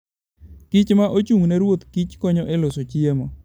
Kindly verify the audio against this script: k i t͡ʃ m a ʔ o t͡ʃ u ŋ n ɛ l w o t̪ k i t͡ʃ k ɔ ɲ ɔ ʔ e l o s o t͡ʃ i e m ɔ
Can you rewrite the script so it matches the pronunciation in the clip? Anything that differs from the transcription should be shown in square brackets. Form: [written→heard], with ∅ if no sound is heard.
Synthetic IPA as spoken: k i t͡ʃ m a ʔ o t͡ʃ u ŋ n ɛ [l→ɾ] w o t̪ k i t͡ʃ k ɔ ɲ ɔ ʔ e l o s o t͡ʃ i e m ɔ

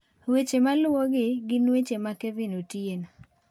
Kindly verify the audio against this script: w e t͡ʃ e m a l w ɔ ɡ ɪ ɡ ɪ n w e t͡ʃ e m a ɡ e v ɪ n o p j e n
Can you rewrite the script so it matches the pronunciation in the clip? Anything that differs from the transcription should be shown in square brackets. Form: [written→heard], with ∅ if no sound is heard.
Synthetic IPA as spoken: w e t͡ʃ e m a l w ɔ ɡ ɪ ɡ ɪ n w e t͡ʃ e m a [ɡ→k] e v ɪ n o [p→t] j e n

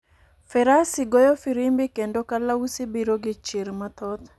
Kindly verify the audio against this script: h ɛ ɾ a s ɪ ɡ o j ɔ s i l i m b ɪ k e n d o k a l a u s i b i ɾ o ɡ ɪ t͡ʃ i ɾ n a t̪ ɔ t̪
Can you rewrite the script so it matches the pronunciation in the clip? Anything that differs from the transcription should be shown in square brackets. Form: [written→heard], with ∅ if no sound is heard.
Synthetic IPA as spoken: [h→f] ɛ ɾ a s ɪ ɡ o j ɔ [s→f] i [l→ɾ] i m b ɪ k e n d o k a l a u s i b i ɾ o ɡ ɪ t͡ʃ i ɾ [n→m] a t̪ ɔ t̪

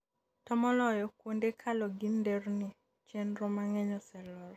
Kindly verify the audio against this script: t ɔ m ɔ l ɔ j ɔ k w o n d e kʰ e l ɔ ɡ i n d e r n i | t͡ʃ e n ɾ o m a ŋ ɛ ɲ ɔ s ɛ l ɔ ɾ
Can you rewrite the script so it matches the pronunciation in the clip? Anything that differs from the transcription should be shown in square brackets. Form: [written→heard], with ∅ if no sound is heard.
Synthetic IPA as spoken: t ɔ m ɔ l ɔ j ɔ k w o n d e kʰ [e→a] l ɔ ɡ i n d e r n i | t͡ʃ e n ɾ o m a ŋ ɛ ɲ ɔ s ɛ l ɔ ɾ

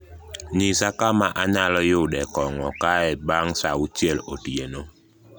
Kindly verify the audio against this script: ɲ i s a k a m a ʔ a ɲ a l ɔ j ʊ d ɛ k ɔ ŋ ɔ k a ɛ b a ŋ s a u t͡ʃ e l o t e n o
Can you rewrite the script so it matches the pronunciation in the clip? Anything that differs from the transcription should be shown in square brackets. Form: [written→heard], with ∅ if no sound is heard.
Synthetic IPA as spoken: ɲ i s a k a m a ʔ a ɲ a l ɔ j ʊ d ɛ k ɔ ŋ ɔ k a ɛ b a ŋ s a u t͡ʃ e l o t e n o

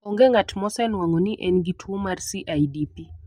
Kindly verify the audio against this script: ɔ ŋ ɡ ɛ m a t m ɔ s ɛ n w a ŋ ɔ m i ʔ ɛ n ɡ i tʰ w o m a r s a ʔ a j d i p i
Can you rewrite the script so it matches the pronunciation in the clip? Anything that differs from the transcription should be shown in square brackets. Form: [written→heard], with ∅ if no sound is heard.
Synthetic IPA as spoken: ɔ ŋ ɡ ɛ [m→ŋ] a t m ɔ s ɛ n w a ŋ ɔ [m→n] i ʔ ɛ n ɡ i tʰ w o m a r s [a→i] ʔ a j d i p i

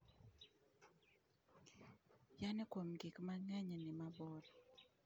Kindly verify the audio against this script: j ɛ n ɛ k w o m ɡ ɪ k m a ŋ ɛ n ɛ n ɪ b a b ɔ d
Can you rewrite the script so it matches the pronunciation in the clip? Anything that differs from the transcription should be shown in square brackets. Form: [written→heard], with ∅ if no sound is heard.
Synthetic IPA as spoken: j [ɛ→a] n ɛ k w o m ɡ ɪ k m a ŋ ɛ [n→ɲ] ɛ n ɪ [b→m] a b ɔ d

